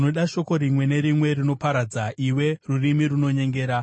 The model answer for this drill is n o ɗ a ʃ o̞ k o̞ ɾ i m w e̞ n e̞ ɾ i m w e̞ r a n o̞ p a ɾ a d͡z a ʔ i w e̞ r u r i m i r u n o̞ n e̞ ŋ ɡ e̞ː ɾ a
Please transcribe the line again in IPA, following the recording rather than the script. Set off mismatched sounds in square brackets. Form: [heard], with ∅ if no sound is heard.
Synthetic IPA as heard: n o ɗ a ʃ o̞ k o̞ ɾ i m w e̞ n e̞ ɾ i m w e̞ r [i] n o̞ p a ɾ a d͡z a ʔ i w e̞ r u r i m i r u n o̞ [ɲ] e̞ ŋ ɡ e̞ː ɾ a